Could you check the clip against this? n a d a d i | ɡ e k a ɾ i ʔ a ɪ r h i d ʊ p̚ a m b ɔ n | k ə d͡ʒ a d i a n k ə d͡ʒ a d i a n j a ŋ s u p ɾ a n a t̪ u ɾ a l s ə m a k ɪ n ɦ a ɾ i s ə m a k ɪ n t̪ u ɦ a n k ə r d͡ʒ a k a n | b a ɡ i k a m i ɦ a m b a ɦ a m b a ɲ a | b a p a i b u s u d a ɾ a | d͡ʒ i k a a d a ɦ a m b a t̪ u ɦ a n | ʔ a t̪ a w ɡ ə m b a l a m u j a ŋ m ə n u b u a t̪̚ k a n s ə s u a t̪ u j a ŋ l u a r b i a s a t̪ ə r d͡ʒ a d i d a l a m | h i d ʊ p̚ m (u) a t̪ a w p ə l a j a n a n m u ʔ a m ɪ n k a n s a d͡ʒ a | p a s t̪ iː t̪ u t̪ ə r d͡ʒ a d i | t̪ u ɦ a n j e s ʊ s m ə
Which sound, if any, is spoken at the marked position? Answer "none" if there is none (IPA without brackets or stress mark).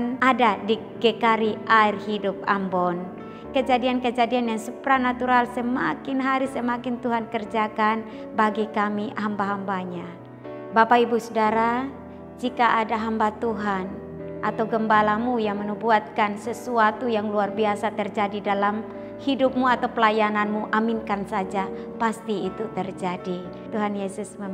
u